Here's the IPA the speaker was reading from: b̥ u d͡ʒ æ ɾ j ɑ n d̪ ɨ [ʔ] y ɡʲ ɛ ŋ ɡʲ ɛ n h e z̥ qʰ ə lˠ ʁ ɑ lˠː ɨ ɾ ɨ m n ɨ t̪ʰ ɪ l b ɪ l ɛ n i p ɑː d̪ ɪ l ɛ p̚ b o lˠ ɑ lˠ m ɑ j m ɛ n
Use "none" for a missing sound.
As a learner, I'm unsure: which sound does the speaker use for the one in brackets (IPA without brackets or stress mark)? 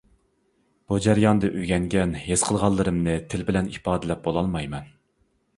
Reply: ʔ